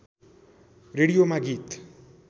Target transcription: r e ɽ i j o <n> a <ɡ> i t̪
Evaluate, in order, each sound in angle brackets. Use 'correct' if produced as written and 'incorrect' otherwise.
incorrect: m, correct

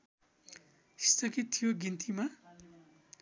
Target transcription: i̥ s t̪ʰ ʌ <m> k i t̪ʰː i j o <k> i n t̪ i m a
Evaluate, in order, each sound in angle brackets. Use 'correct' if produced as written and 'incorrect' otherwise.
incorrect: none, incorrect: ɡ

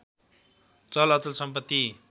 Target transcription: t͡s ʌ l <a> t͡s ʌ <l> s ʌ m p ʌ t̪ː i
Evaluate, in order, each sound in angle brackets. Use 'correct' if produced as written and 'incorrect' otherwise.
incorrect: ʌ, correct

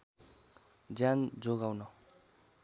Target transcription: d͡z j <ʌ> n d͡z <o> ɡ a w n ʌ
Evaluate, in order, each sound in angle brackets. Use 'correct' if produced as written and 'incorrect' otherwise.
incorrect: a, correct

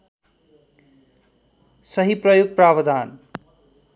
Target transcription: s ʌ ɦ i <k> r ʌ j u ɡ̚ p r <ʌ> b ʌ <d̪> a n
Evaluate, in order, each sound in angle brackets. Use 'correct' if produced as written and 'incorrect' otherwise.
incorrect: p, incorrect: a, correct

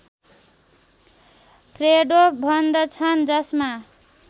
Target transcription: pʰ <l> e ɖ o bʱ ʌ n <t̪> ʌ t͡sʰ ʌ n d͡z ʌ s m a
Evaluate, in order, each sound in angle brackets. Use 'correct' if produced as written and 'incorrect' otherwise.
incorrect: r, incorrect: d̪

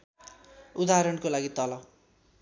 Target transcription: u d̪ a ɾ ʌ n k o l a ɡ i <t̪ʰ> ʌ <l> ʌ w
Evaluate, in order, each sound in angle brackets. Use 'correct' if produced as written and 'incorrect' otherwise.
incorrect: t̪, correct

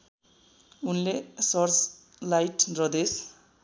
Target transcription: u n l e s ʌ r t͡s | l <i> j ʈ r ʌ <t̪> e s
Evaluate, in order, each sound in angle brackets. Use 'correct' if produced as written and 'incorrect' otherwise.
incorrect: a, incorrect: d̪

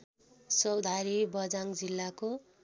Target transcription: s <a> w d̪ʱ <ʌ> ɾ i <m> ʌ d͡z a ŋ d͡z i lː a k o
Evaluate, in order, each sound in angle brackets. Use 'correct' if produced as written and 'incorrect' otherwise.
incorrect: ʌ, incorrect: a, incorrect: b

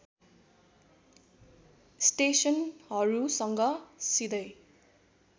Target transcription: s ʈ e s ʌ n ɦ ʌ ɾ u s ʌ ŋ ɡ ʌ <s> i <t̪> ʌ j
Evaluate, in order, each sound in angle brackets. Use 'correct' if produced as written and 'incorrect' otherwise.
correct, incorrect: d̪

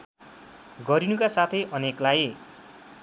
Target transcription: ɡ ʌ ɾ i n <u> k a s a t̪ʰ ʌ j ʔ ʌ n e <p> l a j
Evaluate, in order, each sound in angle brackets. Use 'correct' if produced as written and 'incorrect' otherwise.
correct, incorrect: k

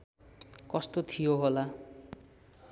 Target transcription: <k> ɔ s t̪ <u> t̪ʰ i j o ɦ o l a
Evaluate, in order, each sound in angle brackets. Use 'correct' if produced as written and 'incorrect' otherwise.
correct, incorrect: o

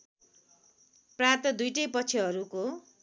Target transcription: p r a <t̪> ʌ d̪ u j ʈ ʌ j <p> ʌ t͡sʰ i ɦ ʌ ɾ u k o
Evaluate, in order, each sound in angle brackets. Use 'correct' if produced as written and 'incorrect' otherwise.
correct, correct

